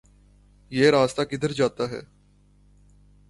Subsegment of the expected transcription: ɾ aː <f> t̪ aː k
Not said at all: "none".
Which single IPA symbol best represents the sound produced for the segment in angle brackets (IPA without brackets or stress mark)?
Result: s